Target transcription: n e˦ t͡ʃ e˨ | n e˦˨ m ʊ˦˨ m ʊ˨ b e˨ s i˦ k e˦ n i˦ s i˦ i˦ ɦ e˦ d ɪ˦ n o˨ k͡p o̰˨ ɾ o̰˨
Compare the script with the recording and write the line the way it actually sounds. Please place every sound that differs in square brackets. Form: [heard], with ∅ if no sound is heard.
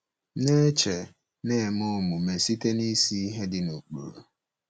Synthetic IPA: n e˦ t͡ʃ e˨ | n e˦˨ m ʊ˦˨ m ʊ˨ [m] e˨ s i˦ [t] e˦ n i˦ s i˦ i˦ ɦ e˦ d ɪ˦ n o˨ k͡p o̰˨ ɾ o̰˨